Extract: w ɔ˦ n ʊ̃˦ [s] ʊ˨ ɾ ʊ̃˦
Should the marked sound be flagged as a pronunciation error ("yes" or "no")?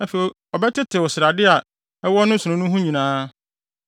no